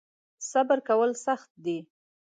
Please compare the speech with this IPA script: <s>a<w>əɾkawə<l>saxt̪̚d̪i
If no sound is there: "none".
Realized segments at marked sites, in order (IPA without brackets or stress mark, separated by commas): s, b, l